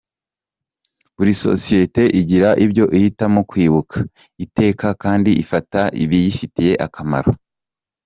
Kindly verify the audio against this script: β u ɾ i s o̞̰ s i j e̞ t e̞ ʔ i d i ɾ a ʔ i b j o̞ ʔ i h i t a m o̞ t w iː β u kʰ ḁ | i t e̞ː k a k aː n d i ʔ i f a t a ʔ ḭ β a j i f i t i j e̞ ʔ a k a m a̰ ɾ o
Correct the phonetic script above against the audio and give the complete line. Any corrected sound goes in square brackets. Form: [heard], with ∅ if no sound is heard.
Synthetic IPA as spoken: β u ɾ i s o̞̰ s i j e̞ t e̞ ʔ i [ɟ] i ɾ a ʔ i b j o̞ ʔ i h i t a m o̞ [k] w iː β u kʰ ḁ | i t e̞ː k a k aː n d i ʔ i f a t a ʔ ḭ β [i] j i f i t i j e̞ ʔ a k a m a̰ ɾ o